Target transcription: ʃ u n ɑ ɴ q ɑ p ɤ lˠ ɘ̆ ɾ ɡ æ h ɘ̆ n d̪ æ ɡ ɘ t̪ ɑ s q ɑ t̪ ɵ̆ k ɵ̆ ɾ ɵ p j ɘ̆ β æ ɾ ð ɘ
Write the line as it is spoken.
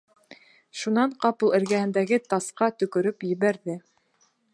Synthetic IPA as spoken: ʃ u n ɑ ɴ q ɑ p ɤ lˠ ɘ̆ ɾ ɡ æ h ɘ̆ n d̪ æ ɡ ɘ t̪ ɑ s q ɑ t̪ ɵ̆ k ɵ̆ ɾ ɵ p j ɘ̆ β æ ɾ ð ɘ